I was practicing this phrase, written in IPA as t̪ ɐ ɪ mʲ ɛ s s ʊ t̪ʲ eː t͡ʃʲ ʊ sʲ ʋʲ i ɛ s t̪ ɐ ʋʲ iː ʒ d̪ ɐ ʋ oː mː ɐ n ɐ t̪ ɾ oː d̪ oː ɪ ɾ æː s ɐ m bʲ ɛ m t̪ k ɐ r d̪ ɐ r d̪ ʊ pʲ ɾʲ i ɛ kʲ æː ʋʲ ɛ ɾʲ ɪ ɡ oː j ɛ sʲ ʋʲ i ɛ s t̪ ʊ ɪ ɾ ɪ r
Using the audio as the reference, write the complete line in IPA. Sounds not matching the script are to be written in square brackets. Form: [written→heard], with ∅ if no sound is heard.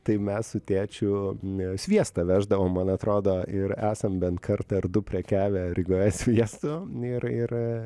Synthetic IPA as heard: t̪ ɐ ɪ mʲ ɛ s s ʊ t̪ʲ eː t͡ʃʲ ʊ sʲ ʋʲ i ɛ s t̪ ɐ ʋʲ [iː→æː] ʒ d̪ ɐ ʋ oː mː ɐ n ɐ t̪ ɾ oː d̪ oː ɪ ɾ æː s ɐ m bʲ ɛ [m→n] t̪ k ɐ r [d̪→t̪] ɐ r d̪ ʊ pʲ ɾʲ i ɛ kʲ æː ʋʲ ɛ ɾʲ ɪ ɡ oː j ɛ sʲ ʋʲ i ɛ s t̪ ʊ ɪ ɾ ɪ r